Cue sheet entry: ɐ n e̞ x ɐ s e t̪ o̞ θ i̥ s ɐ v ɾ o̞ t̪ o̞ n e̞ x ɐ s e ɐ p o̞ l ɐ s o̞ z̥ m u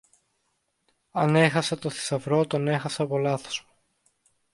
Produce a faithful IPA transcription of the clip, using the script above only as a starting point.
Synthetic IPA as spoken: ɐ n e̞ x ɐ s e t̪ o̞ θ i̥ s ɐ v ɾ o̞ t̪ o̞ n e̞ x ɐ s e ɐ p o̞ l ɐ θ o̞ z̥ m u